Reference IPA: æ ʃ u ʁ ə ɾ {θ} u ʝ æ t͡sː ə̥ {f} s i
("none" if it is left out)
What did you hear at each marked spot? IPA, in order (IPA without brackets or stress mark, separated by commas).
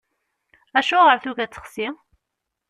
θ, χ